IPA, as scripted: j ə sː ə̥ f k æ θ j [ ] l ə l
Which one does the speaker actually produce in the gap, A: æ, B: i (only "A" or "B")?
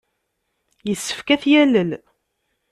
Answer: A